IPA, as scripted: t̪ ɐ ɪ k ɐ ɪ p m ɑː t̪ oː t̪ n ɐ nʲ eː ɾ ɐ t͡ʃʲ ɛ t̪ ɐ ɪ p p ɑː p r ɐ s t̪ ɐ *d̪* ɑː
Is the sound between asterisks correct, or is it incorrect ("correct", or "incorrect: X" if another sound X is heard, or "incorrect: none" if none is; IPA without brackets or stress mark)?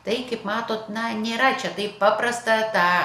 incorrect: t̪